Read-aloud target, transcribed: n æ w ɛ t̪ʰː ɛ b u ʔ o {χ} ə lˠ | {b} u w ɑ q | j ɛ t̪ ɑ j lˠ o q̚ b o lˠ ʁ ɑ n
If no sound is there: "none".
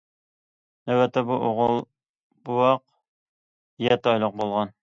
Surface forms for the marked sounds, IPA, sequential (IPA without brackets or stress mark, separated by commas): ʁ, b